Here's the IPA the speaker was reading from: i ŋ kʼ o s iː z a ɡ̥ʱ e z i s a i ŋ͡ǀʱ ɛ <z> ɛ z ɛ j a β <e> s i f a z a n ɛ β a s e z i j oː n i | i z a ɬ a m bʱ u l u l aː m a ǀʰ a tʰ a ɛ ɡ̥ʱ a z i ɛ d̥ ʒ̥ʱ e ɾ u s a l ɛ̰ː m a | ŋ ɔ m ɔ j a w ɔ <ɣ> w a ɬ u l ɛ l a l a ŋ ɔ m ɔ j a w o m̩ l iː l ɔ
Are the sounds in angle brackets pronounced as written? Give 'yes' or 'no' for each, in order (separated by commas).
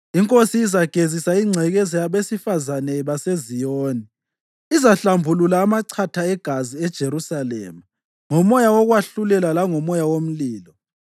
no, yes, yes